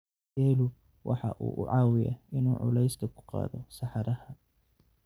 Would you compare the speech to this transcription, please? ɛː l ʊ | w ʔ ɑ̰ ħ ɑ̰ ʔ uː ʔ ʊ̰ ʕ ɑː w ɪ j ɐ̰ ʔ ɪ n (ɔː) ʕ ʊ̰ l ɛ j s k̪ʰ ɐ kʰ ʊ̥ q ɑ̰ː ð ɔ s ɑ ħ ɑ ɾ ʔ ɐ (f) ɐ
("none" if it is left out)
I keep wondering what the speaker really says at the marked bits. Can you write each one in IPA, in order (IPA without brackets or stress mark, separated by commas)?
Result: uː, h